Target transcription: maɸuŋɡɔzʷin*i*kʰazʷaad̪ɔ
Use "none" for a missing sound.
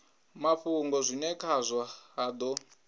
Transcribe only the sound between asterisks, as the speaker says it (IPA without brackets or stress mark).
ɛ